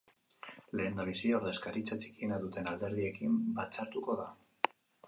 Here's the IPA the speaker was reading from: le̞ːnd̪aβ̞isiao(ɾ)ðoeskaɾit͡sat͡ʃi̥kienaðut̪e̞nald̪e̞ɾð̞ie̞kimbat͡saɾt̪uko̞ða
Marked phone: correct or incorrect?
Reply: correct